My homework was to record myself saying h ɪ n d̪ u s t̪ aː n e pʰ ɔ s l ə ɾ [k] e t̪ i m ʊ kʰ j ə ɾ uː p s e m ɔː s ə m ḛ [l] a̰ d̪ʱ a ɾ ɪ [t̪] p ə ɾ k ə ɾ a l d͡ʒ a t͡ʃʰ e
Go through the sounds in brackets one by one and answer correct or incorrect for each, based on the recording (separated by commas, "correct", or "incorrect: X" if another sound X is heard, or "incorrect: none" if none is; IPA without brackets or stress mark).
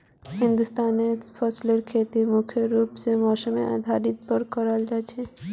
incorrect: kʰ, incorrect: none, correct